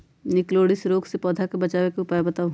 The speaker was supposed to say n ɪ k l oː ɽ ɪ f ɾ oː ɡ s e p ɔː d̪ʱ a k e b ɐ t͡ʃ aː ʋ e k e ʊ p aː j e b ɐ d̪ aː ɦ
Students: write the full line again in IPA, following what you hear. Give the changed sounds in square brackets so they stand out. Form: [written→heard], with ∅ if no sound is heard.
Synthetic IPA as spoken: n ɪ k l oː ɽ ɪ [f→s] ɾ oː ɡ s e p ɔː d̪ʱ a k e b ɐ t͡ʃ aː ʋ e k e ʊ p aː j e b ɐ [d̪→t̪] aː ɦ